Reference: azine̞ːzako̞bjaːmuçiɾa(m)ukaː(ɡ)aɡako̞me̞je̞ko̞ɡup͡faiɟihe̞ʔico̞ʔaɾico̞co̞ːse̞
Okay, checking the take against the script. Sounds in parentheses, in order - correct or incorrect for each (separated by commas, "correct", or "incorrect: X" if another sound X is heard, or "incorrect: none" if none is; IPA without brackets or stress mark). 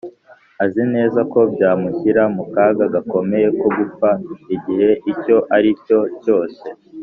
correct, correct